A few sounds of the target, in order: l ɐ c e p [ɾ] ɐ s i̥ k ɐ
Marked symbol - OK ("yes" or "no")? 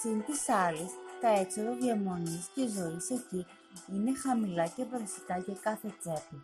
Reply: yes